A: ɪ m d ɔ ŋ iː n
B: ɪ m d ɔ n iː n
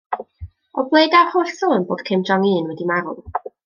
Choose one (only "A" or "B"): A